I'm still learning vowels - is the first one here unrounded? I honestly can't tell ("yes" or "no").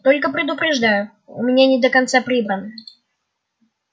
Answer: no